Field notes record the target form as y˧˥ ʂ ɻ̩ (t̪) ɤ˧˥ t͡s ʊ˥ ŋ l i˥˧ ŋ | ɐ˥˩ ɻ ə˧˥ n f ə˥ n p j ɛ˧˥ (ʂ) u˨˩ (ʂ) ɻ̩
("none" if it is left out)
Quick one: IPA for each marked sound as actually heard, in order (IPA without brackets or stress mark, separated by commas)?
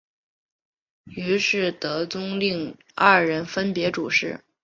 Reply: t̪, ʈ͡ʂ, ʂ